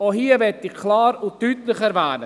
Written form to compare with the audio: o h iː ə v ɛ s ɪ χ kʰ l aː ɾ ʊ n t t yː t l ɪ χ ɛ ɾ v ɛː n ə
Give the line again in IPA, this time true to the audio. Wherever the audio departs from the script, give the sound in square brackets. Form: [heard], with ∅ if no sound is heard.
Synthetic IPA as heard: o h iː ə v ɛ [t] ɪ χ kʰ l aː ɾ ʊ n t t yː t l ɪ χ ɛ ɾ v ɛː n ə